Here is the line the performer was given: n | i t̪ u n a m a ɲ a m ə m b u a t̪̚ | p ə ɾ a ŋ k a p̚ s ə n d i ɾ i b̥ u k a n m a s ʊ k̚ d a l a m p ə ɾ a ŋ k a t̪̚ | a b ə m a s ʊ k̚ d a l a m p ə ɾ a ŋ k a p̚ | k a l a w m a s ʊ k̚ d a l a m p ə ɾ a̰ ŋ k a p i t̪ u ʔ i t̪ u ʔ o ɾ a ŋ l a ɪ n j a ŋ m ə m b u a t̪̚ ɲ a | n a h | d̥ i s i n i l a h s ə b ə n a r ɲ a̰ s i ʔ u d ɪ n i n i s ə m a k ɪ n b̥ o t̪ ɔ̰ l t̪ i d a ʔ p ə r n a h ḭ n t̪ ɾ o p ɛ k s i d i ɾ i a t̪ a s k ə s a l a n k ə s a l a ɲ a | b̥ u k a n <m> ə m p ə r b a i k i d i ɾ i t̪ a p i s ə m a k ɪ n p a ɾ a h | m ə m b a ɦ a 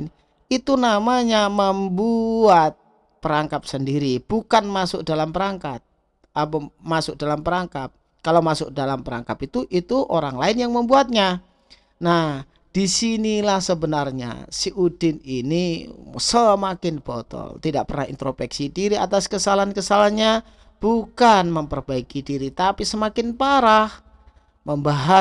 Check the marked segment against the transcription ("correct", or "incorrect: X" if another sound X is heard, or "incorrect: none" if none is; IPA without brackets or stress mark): correct